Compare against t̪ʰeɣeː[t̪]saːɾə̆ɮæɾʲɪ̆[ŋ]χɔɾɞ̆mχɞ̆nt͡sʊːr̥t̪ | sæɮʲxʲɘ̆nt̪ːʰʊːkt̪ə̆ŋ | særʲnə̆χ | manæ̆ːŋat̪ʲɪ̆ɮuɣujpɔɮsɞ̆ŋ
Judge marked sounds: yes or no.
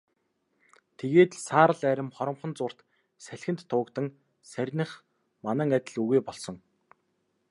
yes, no

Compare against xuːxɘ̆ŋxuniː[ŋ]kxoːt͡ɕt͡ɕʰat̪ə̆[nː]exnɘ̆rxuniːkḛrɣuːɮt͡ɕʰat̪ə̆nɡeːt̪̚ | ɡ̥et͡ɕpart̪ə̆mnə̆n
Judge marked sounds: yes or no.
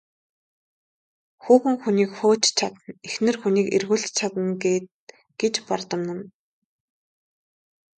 no, no

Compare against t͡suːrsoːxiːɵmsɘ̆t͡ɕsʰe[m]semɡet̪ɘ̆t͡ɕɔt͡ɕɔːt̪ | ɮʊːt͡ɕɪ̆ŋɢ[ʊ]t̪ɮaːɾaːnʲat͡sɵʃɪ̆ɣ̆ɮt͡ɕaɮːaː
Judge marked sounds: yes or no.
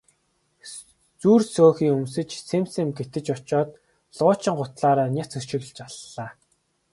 yes, yes

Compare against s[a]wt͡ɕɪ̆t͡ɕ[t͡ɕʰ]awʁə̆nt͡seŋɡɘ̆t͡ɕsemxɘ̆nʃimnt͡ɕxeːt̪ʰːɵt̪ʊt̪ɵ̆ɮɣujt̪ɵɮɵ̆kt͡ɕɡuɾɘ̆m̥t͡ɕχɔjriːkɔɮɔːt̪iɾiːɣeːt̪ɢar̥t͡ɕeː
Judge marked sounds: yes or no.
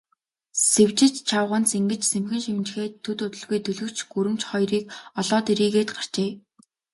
no, yes

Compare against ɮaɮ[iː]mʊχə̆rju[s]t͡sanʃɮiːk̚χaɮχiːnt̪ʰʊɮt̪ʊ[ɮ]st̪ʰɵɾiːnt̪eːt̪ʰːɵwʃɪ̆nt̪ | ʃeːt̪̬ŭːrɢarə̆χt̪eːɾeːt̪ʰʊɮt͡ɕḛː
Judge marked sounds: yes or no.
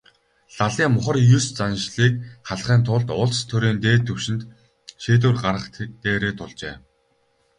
yes, yes, yes

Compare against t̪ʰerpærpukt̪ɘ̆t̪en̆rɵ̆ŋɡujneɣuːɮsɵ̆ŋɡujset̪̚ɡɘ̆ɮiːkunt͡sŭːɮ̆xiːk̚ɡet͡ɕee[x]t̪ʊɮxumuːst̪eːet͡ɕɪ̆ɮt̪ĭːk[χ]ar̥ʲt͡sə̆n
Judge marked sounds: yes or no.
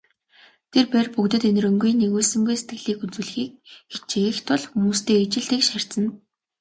yes, no

